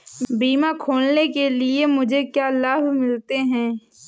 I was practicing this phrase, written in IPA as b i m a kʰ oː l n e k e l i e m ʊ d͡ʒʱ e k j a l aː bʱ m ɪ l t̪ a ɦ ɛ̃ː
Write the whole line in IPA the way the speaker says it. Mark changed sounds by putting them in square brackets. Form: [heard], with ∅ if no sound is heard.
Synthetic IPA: b [iː] m a kʰ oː l n e k e l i e m ʊ d͡ʒʱ e k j a l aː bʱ m ɪ l t̪ [e] ɦ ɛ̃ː